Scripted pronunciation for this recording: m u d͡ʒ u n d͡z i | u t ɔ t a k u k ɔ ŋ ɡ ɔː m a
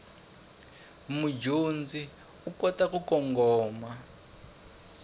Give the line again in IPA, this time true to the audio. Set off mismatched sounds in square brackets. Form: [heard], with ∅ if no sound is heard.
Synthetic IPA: m u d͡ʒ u n d͡z i | u [k] ɔ t a k u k ɔ ŋ ɡ ɔː m a